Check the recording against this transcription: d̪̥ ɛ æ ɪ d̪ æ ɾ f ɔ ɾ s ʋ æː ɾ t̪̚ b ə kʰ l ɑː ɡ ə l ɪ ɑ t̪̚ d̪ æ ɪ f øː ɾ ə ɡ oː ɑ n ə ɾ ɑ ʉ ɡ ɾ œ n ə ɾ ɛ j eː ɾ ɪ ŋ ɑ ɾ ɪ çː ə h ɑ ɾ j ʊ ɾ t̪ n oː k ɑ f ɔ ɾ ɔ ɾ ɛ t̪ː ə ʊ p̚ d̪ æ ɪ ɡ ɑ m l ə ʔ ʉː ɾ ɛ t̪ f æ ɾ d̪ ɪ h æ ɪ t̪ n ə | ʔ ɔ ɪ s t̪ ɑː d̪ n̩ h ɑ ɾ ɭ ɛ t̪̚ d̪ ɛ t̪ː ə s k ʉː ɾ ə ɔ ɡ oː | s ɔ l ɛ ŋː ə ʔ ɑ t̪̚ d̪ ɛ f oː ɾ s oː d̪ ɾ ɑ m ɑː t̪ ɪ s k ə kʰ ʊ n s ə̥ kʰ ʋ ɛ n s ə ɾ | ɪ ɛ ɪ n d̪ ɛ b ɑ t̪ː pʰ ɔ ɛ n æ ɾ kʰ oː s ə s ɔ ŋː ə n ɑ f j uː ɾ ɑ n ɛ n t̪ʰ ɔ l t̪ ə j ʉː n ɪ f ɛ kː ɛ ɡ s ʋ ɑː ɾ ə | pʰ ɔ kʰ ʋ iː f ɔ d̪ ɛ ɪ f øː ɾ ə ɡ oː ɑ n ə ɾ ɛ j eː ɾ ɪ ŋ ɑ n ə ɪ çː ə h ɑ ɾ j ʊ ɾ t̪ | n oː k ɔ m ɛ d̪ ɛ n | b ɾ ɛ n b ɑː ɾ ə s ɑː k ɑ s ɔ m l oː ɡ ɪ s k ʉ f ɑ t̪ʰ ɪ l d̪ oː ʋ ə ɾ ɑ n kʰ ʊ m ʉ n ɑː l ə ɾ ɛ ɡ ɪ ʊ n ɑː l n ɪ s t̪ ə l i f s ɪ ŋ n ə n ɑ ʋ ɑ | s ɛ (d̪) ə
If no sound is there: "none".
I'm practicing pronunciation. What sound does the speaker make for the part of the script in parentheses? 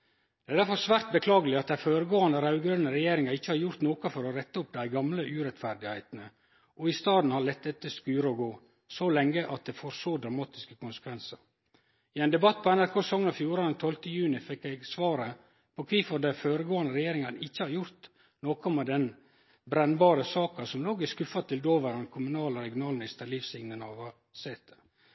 t̪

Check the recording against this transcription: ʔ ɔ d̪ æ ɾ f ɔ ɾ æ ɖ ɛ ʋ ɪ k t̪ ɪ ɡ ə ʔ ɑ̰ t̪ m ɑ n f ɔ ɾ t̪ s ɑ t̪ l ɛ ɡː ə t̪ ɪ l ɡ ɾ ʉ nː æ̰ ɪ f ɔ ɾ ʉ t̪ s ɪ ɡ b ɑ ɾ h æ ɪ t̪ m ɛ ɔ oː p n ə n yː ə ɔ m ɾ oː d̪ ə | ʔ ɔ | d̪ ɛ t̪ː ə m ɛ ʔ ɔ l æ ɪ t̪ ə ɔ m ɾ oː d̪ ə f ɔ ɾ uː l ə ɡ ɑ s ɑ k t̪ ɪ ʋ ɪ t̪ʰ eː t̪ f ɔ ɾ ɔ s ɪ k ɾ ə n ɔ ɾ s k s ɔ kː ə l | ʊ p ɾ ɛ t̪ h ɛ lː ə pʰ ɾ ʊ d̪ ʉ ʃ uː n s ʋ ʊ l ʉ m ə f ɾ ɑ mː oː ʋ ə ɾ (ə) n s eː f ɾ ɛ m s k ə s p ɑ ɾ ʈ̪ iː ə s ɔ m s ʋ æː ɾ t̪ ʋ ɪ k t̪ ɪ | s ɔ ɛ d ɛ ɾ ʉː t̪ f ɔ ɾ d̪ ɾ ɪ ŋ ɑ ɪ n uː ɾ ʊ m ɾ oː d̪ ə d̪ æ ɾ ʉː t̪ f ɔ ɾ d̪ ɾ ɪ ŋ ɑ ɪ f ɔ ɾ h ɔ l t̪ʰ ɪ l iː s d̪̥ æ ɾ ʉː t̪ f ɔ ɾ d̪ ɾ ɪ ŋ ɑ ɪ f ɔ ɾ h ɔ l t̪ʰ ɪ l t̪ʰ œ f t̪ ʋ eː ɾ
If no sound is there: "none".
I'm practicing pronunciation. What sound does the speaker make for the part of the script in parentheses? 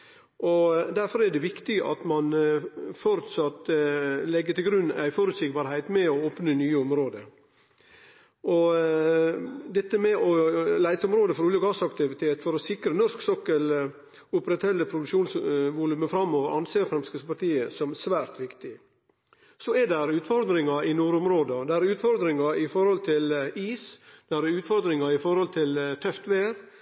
ɑ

